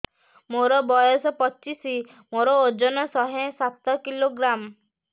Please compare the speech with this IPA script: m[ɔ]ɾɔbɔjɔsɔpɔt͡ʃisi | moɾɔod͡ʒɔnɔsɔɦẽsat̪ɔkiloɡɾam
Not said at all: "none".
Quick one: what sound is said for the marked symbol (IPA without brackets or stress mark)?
o